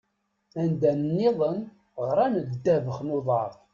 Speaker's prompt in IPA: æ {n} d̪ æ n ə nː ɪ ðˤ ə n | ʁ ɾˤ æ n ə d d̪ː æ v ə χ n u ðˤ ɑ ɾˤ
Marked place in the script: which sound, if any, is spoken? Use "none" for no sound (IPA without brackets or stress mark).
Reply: n